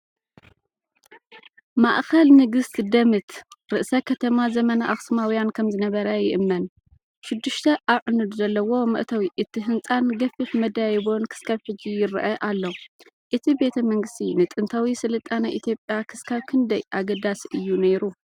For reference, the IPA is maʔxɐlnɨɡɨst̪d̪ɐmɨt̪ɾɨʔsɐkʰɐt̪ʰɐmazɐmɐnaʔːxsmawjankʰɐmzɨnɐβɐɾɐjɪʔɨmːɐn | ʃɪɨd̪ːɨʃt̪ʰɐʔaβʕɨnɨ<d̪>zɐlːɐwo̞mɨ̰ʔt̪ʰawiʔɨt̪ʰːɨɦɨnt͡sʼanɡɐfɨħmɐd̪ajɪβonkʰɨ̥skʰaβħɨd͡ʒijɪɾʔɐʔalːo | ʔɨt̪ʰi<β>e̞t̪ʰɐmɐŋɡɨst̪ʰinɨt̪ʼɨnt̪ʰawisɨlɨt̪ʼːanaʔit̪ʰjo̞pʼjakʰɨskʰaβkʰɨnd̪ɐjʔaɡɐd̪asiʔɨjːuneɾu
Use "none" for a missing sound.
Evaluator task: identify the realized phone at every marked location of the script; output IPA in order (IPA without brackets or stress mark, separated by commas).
d̪, b